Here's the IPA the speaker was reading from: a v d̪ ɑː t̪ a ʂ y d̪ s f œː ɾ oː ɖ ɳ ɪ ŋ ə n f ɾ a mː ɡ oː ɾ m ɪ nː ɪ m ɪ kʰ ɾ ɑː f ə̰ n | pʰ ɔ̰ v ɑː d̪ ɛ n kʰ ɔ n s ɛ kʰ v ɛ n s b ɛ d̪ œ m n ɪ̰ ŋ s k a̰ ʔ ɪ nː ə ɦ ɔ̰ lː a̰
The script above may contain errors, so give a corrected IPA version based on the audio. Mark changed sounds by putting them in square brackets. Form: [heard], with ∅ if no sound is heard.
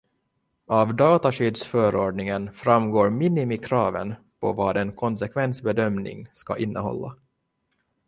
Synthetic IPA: a v d̪ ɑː t̪ a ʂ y d̪ s f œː ɾ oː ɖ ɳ ɪ ŋ ə n f ɾ a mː ɡ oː ɾ m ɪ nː ɪ m ɪ kʰ ɾ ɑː [v] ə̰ n | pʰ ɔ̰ v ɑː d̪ ɛ n kʰ ɔ n s ɛ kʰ v ɛ n s b ɛ d̪ œ m n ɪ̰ ŋ s k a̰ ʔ ɪ nː ə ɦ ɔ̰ lː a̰